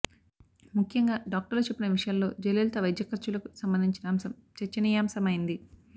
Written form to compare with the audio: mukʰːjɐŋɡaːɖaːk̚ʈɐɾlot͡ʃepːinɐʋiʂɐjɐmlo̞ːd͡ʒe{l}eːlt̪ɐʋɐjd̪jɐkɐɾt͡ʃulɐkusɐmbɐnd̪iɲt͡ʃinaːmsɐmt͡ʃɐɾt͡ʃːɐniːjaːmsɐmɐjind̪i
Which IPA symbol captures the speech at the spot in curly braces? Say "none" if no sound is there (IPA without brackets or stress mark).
l